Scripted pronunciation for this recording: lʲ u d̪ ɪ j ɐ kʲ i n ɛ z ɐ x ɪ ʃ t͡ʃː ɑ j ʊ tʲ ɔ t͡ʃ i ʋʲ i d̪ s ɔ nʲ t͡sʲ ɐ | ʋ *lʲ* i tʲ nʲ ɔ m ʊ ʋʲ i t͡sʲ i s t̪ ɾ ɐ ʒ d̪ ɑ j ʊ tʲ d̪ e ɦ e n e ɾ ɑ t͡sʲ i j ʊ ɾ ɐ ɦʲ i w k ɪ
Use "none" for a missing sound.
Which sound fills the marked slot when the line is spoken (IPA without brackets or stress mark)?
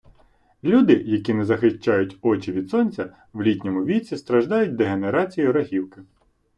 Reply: lʲ